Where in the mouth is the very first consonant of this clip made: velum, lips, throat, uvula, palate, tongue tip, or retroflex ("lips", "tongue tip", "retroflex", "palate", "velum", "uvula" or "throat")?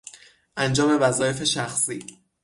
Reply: throat